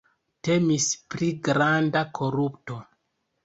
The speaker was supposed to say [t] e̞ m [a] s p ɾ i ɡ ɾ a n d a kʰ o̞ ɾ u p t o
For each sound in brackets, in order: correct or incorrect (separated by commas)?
correct, incorrect